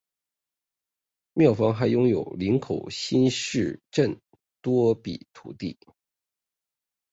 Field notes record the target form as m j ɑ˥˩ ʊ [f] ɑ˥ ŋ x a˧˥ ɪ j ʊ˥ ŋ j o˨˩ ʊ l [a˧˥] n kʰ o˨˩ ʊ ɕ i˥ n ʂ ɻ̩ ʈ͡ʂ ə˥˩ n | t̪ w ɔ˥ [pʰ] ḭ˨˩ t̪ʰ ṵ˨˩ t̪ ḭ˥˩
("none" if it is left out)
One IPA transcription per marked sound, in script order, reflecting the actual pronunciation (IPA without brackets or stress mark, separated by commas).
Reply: f, i˧˥, p